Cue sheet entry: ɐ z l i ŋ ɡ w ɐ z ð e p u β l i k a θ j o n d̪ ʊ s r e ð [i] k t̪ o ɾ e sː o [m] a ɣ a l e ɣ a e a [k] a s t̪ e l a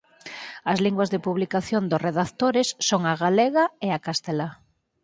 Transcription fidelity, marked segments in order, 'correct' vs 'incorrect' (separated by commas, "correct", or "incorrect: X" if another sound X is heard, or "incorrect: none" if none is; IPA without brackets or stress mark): incorrect: a, incorrect: ŋ, correct